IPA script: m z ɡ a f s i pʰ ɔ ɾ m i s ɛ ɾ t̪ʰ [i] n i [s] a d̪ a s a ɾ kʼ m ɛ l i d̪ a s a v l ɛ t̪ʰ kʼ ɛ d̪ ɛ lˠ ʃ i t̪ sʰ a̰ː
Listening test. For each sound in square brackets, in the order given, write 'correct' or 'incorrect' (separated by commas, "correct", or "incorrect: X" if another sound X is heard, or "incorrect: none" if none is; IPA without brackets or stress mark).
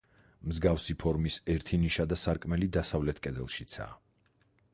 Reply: correct, incorrect: ʃ